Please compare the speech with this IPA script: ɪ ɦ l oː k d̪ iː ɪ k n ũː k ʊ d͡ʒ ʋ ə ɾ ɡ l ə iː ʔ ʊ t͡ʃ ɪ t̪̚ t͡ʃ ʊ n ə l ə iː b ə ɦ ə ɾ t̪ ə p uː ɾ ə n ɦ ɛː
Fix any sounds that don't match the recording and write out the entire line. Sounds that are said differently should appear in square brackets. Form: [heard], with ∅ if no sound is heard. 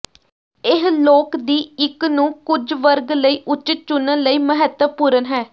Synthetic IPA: ɪ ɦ l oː k d̪ iː ɪ k n ũː k ʊ d͡ʒ ʋ ə ɾ ɡ l ə iː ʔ ʊ t͡ʃ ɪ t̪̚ t͡ʃ ʊ n ə l ə iː [m] ə ɦ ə [∅] t̪ ə p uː ɾ ə n ɦ ɛː

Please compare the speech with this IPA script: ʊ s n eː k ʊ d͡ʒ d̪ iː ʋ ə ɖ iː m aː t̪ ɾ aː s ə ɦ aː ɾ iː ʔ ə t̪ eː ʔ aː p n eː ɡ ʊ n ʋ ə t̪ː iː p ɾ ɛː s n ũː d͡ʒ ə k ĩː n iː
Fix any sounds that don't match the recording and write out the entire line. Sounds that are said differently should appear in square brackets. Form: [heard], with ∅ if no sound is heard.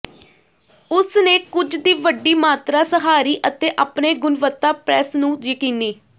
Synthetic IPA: ʊ s n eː k ʊ d͡ʒ d̪ iː ʋ ə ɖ iː m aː t̪ ɾ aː s ə ɦ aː ɾ iː ʔ ə t̪ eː ʔ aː p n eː ɡ ʊ n ʋ ə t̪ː [aː] p ɾ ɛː s n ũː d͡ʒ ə k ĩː n iː

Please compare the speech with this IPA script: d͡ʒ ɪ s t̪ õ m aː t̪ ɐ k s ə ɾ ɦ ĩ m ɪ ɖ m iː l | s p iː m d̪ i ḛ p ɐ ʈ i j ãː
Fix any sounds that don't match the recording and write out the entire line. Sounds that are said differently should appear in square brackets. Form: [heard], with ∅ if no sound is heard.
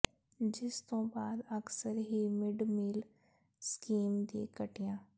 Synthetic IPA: d͡ʒ ɪ s t̪ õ [b] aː [d̪] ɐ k s ə ɾ ɦ [i] m ɪ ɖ m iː l | s [k] iː m d̪ i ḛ [k] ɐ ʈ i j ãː

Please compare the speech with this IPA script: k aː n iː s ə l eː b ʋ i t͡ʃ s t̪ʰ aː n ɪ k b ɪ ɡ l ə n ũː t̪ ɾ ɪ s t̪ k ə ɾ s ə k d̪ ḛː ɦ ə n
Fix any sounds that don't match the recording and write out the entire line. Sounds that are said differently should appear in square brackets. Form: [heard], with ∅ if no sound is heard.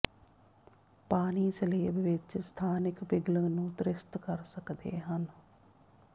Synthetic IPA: [p] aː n iː s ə l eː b ʋ [ɪ] t͡ʃ s t̪ʰ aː n ɪ k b ɪ ɡ l ə n ũː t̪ ɾ ɪ s t̪ k ə ɾ s ə k d̪ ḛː ɦ ə n

